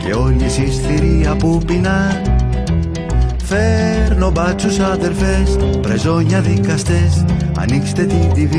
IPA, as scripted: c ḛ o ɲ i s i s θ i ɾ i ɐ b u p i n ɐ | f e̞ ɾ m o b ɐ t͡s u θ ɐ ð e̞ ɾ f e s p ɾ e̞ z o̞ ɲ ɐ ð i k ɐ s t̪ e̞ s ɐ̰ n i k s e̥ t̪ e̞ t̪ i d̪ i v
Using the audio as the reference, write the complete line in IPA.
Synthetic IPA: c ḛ o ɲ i s i s θ i ɾ i ɐ p u p i n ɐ | f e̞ ɾ n o b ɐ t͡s u s ɐ ð e̞ ɾ f e s p ɾ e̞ z o̞ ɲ ɐ ð i k ɐ s t̪ e̞ s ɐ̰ n i k s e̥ t̪ e̞ t̪ i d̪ i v